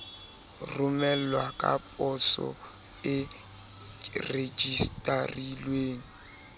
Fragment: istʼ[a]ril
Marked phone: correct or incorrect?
correct